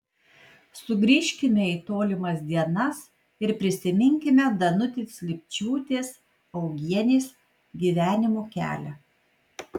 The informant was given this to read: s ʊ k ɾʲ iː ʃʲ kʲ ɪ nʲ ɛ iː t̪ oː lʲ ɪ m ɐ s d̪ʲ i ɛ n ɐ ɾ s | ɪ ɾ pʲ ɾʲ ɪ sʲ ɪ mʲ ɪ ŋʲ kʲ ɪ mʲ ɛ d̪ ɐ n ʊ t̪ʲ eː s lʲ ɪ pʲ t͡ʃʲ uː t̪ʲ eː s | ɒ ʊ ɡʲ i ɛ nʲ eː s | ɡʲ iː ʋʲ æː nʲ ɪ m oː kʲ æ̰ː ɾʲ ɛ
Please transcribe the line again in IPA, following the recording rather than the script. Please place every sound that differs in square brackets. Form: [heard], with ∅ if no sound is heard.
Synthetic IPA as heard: s ʊ [ɡ] ɾʲ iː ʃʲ kʲ ɪ [mʲ] ɛ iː t̪ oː lʲ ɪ m ɐ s d̪ʲ i ɛ n ɐ [∅] s | ɪ ɾ pʲ ɾʲ ɪ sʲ ɪ mʲ ɪ ŋʲ kʲ ɪ mʲ ɛ d̪ ɐ n ʊ t̪ʲ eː s lʲ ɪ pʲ t͡ʃʲ uː t̪ʲ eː s | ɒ ʊ ɡʲ i ɛ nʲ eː s | ɡʲ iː ʋʲ æː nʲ ɪ m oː kʲ æ̰ː [lʲ] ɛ